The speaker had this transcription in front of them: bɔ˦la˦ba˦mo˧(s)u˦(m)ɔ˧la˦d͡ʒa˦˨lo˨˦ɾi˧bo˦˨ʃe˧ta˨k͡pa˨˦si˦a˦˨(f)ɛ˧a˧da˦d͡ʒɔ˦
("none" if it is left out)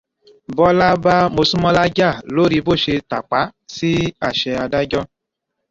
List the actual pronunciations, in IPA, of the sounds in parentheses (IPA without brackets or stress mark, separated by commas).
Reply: s, m, ʃ